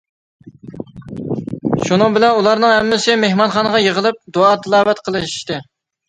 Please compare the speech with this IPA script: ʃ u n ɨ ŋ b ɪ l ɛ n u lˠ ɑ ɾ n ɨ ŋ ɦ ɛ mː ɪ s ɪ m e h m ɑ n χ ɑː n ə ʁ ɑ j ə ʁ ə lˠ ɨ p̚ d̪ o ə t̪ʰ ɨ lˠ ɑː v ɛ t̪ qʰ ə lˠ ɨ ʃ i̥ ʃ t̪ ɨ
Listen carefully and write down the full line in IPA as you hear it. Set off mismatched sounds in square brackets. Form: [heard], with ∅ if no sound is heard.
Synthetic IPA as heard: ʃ u n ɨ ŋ b ɪ l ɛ n u lˠ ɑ ɾ n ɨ ŋ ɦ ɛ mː ɪ s ɪ m e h m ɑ n χ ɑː n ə ʁ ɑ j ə ʁ ə lˠ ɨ p̚ d̪ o [ɑ] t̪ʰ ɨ lˠ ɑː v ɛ t̪ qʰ ə lˠ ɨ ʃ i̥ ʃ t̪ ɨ